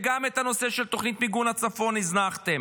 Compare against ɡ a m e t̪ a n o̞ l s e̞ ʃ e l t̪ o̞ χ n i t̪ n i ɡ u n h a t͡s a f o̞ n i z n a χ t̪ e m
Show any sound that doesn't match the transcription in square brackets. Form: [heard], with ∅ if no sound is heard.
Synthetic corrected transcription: ɡ a m e t̪ a n o̞ [∅] s e̞ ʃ e l t̪ o̞ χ n i t̪ [m] i ɡ u n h a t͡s a f o̞ n i z n a χ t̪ e m